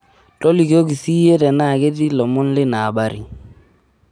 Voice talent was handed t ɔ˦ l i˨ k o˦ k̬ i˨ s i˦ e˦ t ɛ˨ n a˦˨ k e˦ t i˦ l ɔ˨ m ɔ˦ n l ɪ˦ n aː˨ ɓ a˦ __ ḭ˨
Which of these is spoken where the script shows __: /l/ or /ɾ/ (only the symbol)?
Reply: ɾ